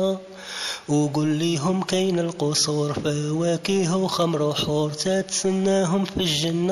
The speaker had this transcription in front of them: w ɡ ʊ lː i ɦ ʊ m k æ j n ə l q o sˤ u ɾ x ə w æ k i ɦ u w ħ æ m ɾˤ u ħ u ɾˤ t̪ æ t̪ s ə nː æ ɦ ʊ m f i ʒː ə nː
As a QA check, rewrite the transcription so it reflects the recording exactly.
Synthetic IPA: w ɡ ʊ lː i ɦ ʊ m k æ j n ə l q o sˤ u ɾ f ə w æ k i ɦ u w x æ m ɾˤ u ħ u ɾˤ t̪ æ t̪ s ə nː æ ɦ ʊ m f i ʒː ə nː